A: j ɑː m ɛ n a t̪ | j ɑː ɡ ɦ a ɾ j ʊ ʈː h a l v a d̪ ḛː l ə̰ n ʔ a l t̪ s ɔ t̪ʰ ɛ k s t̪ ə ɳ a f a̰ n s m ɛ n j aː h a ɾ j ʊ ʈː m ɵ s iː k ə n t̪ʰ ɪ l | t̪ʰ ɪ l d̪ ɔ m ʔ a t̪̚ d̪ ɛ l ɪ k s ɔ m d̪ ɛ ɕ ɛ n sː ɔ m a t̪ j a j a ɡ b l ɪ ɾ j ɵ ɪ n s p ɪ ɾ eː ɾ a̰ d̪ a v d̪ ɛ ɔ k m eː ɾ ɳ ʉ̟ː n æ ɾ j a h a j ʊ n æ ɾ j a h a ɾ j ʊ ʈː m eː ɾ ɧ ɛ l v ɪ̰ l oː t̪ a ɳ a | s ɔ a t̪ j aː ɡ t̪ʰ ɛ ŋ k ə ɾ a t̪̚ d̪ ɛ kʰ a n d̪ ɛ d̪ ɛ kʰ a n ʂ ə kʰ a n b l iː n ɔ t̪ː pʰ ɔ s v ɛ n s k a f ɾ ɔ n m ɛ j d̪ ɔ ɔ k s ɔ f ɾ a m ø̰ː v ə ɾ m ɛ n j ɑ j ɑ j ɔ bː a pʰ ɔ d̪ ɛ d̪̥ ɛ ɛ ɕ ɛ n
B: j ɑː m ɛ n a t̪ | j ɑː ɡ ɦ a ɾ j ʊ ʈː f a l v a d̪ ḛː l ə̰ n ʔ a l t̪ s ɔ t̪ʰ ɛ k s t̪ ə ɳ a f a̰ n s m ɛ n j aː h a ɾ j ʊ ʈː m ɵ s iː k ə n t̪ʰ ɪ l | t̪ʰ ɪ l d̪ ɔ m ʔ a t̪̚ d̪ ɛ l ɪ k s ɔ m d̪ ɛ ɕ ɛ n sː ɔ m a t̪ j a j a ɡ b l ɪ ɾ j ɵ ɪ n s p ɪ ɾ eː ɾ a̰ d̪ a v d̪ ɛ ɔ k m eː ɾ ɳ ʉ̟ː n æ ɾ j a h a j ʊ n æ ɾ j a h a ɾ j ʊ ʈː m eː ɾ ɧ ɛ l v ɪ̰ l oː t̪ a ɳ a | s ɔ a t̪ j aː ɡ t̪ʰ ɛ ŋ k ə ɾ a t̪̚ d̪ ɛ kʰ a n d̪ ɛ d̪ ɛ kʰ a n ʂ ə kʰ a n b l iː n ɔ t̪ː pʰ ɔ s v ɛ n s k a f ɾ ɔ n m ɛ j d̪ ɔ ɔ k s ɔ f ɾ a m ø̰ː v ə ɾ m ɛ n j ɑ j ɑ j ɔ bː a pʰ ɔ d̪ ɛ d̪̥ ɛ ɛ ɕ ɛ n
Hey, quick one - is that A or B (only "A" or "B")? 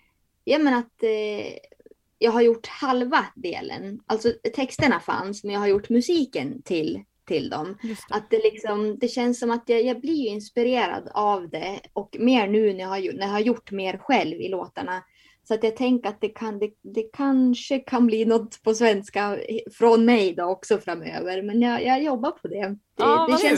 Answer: A